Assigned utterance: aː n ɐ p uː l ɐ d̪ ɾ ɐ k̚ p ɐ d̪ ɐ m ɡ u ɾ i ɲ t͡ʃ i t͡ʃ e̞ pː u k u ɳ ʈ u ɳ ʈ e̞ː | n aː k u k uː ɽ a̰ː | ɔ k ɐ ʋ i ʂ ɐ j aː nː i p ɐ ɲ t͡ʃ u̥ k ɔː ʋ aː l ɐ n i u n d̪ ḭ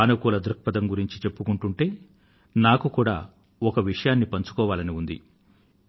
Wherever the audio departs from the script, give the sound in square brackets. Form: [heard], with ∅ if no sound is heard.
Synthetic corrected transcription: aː n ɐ [k] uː l ɐ d̪ ɾ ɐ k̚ p ɐ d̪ ɐ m ɡ u ɾ i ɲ t͡ʃ i t͡ʃ e̞ pː u k u ɳ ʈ u ɳ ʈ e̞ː | n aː k u k uː ɽ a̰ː | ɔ k ɐ ʋ i ʂ ɐ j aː nː i p ɐ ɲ t͡ʃ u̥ k ɔː ʋ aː l ɐ n i u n d̪ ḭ